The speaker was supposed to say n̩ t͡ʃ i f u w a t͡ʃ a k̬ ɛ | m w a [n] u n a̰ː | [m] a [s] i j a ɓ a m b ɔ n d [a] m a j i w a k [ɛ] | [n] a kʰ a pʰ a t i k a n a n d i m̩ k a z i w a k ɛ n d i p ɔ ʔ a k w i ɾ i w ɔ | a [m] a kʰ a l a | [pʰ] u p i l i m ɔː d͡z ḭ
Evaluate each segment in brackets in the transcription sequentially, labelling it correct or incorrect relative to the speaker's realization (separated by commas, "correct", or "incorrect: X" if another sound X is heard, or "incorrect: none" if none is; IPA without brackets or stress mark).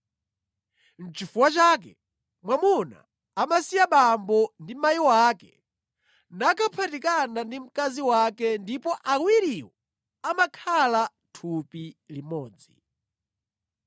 incorrect: m, correct, correct, incorrect: i, correct, correct, correct, incorrect: tʰ